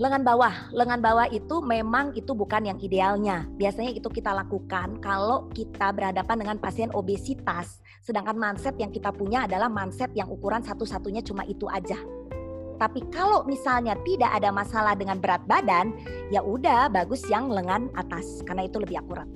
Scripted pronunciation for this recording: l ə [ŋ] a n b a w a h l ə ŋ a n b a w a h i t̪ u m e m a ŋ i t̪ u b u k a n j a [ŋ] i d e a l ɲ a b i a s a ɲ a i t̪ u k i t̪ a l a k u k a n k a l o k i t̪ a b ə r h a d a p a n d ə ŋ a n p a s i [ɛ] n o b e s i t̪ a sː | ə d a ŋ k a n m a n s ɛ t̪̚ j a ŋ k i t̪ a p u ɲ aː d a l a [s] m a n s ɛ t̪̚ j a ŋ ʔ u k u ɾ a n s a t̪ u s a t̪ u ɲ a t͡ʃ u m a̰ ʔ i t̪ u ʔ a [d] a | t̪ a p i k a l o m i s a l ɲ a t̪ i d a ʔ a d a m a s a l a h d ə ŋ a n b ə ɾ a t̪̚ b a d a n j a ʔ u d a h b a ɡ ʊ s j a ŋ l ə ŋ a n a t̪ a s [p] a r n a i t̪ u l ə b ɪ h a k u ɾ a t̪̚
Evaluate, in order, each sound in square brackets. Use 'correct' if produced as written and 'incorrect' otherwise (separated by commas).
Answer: correct, correct, correct, incorrect, incorrect, incorrect